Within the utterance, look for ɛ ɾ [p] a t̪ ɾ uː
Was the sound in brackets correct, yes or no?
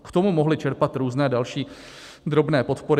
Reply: yes